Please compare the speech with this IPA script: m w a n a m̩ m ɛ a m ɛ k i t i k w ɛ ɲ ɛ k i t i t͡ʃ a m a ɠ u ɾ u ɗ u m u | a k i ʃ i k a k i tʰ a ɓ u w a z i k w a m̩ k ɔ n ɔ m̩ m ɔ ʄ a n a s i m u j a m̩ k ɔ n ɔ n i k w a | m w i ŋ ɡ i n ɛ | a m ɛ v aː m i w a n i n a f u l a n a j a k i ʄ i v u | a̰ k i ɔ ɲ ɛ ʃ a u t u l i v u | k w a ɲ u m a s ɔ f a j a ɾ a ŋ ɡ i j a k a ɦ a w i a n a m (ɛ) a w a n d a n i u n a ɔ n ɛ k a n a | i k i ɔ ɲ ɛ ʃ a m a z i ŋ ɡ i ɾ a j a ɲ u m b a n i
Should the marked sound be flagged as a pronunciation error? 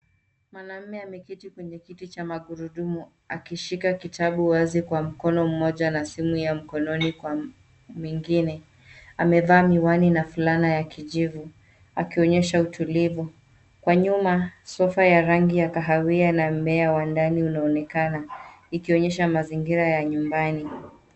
no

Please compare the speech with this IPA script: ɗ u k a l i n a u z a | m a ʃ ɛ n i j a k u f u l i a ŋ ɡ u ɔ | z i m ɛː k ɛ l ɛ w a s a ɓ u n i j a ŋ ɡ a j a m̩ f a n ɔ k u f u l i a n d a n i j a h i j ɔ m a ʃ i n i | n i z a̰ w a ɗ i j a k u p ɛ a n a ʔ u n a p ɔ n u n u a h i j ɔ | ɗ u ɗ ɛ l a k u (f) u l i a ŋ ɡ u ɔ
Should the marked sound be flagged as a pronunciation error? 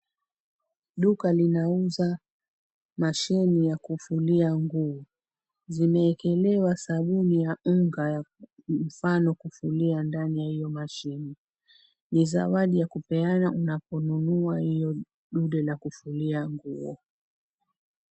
no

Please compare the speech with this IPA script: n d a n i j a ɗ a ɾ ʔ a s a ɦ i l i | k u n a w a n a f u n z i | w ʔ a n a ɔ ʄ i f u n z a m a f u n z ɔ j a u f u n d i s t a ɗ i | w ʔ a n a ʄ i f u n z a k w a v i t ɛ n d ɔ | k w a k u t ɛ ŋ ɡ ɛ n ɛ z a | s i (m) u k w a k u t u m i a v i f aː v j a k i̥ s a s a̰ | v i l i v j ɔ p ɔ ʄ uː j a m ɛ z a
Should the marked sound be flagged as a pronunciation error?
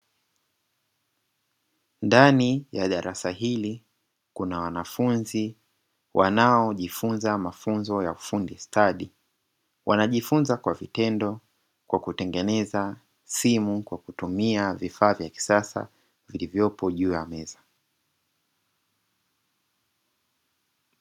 no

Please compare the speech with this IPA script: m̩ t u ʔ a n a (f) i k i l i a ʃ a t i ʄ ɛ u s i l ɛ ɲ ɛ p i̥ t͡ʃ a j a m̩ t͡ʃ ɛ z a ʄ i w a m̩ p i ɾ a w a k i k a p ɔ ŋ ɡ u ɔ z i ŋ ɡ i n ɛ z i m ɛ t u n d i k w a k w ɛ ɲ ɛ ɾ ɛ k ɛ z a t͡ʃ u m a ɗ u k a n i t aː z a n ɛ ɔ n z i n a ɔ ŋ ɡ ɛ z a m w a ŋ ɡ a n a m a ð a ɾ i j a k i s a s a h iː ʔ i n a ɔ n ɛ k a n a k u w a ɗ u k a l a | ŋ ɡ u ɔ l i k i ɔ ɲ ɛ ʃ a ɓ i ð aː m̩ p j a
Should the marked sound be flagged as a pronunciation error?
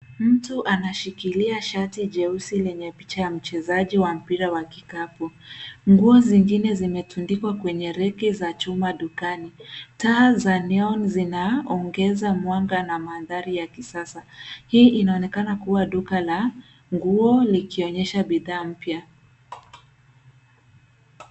yes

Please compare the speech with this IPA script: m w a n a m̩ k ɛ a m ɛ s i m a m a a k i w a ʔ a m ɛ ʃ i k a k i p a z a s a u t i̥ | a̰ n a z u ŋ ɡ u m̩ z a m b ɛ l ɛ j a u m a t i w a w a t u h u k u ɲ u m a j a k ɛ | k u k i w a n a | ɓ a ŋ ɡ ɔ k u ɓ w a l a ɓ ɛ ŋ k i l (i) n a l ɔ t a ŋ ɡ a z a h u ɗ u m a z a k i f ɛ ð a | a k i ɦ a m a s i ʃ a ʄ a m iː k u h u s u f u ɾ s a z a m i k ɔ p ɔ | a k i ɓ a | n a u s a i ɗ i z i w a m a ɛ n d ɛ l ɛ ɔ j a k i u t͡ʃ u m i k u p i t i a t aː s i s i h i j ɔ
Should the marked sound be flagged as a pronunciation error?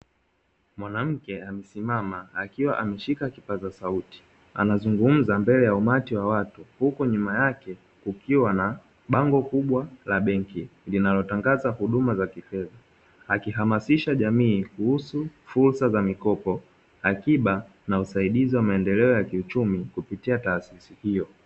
no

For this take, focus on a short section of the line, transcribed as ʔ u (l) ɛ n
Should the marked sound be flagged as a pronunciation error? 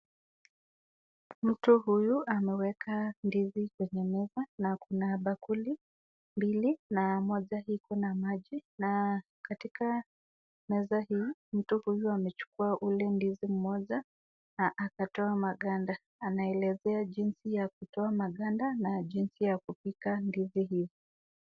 no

